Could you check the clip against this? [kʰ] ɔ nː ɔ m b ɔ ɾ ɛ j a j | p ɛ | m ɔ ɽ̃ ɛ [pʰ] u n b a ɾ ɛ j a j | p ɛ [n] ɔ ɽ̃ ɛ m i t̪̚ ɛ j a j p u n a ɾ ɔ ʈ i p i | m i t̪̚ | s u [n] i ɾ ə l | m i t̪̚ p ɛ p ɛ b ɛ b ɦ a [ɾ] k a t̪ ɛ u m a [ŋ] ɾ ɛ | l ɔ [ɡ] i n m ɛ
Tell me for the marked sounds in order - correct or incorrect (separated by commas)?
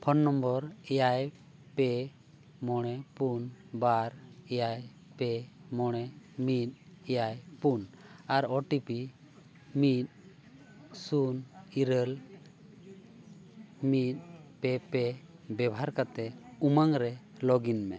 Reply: incorrect, incorrect, incorrect, correct, correct, correct, correct